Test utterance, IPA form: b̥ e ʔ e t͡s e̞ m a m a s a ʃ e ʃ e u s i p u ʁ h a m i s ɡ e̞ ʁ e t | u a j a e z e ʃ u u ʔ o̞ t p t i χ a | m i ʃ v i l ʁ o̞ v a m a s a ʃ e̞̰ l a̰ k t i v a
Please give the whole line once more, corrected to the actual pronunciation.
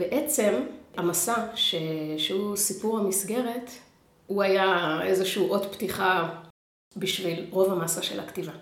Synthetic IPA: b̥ e ʔ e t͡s e̞ m a m a s a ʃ e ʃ e u s i p u ʁ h a m i s ɡ e̞ ʁ e t | u a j a e z e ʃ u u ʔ o̞ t p t i χ a | b i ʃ v i l ʁ o̞ v a m a s a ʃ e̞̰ l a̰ k t i v a